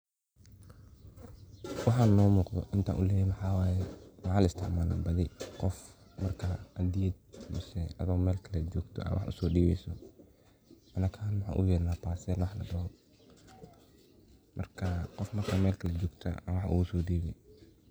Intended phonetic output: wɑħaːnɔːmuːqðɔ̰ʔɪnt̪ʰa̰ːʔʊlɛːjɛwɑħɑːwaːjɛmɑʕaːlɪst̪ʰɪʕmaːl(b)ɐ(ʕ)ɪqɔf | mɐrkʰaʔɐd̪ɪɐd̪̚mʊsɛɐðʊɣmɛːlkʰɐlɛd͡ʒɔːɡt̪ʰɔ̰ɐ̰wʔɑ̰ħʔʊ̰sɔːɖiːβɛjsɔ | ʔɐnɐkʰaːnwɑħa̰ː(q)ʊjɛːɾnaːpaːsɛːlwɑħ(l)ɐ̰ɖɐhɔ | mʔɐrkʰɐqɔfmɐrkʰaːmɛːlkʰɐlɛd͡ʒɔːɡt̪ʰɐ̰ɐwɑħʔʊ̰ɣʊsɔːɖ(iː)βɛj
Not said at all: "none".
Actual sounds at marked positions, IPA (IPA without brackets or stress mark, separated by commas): b, ð, ʔ, l, iː